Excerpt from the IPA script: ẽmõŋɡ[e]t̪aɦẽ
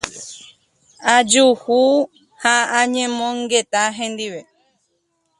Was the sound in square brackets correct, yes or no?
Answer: yes